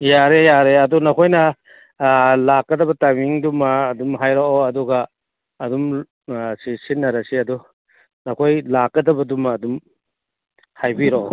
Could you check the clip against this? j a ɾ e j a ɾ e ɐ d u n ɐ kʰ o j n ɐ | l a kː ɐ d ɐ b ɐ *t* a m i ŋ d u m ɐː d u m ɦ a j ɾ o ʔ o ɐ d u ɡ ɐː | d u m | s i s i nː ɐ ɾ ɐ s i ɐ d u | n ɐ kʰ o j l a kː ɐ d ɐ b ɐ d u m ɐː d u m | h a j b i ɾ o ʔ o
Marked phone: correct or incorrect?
correct